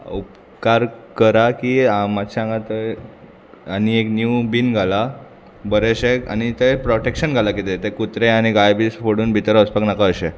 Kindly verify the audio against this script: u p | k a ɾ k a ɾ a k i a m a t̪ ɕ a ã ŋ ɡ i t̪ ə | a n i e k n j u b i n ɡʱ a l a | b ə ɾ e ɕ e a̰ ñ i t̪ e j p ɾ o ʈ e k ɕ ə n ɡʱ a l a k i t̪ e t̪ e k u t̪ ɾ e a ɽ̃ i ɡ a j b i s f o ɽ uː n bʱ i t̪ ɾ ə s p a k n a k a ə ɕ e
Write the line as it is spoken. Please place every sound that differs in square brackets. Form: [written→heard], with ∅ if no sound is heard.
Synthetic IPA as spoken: u p | k a ɾ k [a→ə] ɾ a k i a m a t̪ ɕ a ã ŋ ɡ [i→a] t̪ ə | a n i e k n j u b i n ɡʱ a l a | b ə ɾ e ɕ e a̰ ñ i t̪ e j p ɾ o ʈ e k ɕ ə n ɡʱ a l a k i t̪ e t̪ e k u t̪ ɾ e a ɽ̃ i ɡ a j b i s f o ɽ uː n bʱ i t̪ ɾ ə s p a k n a k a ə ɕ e